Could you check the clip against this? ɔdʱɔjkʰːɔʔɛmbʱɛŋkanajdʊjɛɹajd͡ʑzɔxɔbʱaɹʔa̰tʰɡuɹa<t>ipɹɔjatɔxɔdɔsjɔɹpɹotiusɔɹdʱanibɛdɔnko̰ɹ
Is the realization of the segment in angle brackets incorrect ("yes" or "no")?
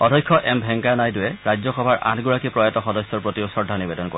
yes